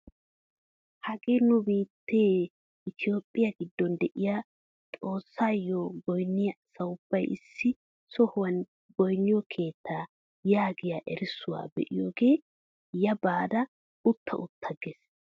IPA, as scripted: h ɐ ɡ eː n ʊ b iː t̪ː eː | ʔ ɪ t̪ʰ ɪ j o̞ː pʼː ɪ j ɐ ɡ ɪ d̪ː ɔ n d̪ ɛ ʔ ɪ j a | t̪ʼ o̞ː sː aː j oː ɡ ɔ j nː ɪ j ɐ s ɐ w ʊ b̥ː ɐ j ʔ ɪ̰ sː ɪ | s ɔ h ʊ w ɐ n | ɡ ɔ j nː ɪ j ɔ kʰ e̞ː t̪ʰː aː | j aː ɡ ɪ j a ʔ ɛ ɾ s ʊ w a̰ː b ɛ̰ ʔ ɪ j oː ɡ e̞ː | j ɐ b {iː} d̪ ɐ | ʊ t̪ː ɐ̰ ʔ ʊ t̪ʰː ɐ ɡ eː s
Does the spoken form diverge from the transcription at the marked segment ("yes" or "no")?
yes